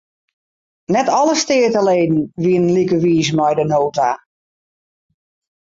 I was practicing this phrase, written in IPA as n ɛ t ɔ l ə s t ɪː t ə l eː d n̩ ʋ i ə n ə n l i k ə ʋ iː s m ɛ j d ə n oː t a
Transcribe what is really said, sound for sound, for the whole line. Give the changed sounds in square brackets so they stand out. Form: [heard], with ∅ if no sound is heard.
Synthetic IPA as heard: n ɛ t ɔ l ə s t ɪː t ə l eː d n̩ ʋ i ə n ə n l i k ə ʋ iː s m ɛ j d ə n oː t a

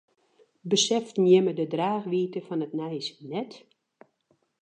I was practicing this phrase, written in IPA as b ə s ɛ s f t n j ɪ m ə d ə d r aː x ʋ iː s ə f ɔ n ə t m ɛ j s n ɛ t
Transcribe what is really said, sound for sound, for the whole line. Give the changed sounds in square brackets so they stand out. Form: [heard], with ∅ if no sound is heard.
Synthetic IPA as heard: b ə s ɛ [∅] f t n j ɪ m ə d ə d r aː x ʋ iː [t] ə f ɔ n ə t [n] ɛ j s n ɛ t

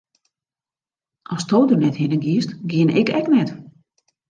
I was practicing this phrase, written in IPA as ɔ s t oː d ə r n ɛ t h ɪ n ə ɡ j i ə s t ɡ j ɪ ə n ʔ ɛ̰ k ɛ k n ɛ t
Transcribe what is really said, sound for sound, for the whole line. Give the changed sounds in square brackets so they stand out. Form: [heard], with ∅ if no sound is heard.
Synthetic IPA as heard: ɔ s t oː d ə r n ɛ t h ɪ n ə ɡ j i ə s t ɡ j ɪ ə n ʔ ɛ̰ k ɛ k n ɛ t

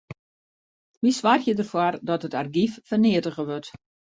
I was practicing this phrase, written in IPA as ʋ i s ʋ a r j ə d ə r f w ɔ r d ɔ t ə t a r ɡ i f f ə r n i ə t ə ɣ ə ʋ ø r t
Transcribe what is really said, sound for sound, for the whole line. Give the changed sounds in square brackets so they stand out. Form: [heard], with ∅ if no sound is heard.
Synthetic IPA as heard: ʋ i s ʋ a r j ə d ə r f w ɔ r d ɔ t ə t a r ɡ i f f ə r n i ə t ə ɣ ə ʋ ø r t

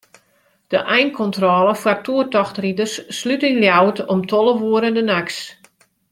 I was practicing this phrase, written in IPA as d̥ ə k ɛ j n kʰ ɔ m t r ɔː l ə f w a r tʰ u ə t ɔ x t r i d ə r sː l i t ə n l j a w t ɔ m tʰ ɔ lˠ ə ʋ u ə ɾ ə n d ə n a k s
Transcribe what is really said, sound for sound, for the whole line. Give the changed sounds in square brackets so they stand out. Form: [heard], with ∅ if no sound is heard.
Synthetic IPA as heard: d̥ ə [ʔ] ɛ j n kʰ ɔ [n] t r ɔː l ə f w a r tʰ u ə t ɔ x t r i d ə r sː l [y] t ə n l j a w t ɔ m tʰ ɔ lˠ ə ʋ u ə ɾ ə n d ə n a k s

